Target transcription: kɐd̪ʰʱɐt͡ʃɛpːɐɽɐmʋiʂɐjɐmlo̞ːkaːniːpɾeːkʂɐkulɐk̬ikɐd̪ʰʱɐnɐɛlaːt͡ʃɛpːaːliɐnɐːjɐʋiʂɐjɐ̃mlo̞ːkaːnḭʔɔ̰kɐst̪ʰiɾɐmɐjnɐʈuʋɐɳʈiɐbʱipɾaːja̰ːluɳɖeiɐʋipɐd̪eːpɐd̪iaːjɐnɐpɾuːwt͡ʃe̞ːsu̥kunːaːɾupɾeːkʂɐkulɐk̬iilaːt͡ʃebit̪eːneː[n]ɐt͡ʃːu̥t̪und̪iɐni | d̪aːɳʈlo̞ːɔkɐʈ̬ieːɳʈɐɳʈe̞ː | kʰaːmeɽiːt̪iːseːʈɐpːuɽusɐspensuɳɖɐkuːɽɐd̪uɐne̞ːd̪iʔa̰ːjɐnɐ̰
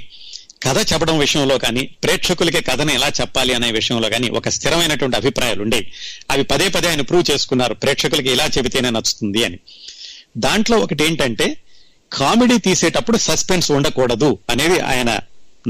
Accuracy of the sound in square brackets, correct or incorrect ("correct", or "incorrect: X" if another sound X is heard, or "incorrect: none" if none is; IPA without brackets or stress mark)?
correct